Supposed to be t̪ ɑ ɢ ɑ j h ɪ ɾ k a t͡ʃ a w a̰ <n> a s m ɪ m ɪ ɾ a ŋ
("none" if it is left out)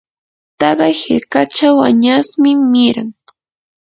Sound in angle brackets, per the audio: ɲ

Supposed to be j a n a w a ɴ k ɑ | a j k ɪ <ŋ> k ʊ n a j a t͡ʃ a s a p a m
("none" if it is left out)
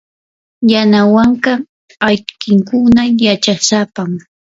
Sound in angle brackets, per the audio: ŋ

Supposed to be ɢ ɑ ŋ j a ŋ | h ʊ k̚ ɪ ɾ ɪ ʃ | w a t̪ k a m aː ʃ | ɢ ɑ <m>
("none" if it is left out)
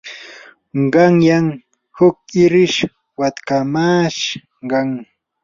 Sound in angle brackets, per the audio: ŋ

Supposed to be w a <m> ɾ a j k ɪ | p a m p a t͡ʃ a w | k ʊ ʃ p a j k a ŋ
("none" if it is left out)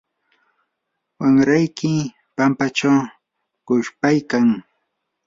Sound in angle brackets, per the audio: ŋ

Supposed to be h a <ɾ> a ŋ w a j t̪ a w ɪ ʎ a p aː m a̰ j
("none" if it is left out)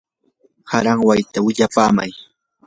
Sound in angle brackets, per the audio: ɾ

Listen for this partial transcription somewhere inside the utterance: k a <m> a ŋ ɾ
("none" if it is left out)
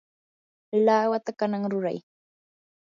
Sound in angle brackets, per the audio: n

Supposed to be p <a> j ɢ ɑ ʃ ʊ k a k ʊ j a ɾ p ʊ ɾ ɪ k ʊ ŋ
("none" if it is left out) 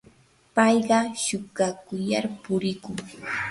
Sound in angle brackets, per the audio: ɑ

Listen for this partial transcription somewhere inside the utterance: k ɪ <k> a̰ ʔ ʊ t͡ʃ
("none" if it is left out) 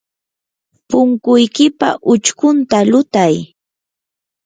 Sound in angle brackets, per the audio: p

